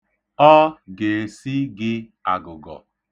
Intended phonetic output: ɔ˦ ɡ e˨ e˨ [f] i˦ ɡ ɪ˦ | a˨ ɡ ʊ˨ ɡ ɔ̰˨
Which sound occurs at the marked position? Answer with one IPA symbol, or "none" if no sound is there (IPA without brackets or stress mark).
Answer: s